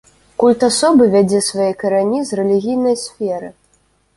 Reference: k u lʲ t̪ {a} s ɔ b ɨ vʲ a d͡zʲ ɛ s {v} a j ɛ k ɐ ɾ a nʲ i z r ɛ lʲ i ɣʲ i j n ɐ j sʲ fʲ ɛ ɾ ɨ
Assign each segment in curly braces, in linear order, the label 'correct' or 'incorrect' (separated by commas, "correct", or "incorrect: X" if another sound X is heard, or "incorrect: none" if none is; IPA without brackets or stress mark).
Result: correct, correct